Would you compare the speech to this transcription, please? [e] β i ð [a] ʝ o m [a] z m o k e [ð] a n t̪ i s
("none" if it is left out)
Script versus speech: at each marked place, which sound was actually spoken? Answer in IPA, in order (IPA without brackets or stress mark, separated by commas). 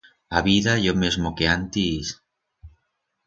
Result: a, a, e, none